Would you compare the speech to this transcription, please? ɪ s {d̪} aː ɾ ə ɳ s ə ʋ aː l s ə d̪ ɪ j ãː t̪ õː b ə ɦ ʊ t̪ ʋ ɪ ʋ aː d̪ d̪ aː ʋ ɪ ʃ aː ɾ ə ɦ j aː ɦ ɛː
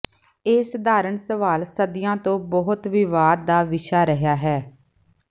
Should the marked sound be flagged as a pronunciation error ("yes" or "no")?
no